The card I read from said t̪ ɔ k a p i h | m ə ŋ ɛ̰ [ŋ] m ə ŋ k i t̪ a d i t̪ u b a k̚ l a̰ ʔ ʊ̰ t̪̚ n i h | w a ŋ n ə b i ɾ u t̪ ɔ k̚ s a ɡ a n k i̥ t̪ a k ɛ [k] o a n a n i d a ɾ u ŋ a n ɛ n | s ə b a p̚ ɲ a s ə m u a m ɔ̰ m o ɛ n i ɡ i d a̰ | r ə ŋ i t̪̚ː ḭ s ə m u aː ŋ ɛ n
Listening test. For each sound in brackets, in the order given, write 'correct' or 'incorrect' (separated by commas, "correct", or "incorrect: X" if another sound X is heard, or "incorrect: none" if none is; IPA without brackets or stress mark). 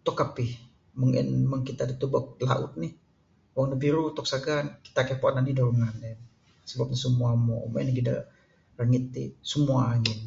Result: incorrect: n, incorrect: p